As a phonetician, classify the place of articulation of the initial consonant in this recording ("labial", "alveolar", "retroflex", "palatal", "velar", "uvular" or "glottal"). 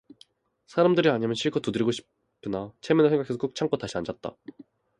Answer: alveolar